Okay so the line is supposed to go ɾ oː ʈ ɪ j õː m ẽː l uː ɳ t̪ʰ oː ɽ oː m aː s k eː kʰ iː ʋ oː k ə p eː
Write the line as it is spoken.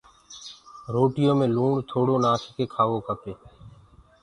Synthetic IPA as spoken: ɾ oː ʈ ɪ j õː m ẽː l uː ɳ t̪ʰ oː ɽ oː n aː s k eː kʰ aː ʋ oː k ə p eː